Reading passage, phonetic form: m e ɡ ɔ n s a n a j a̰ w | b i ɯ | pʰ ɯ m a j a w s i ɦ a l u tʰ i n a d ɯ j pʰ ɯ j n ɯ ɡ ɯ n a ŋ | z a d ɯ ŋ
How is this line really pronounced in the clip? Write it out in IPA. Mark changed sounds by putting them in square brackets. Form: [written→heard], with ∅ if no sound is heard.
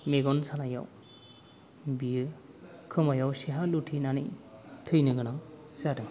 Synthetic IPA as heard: m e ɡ ɔ n s a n a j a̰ w | b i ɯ | [pʰ→kʰ] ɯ m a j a w s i ɦ a l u tʰ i n a [d→n] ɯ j [pʰ→tʰ] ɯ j n ɯ ɡ ɯ n a ŋ | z a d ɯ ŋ